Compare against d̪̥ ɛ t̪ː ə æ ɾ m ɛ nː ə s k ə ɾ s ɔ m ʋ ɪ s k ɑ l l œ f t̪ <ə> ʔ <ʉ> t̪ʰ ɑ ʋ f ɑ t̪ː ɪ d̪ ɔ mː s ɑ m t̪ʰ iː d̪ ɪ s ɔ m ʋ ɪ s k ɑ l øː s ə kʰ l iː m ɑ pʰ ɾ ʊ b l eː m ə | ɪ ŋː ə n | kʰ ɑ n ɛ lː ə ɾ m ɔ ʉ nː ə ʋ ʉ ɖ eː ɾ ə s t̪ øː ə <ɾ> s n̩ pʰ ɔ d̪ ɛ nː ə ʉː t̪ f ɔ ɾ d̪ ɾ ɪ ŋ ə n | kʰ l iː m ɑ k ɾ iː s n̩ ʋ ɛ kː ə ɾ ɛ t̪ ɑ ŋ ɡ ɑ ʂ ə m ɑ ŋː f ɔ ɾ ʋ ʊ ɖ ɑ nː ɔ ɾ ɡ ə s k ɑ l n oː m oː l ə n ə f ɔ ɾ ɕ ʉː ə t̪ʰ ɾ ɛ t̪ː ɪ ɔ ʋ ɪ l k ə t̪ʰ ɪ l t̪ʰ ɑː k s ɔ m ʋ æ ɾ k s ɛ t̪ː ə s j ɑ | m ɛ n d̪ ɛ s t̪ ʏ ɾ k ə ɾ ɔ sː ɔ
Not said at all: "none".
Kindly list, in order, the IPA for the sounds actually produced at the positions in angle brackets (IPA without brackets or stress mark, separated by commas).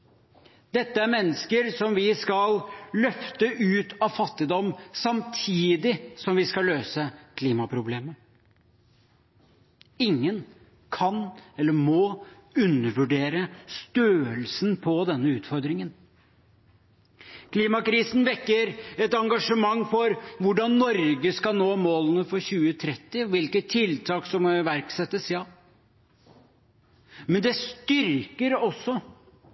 ə, ʉː, l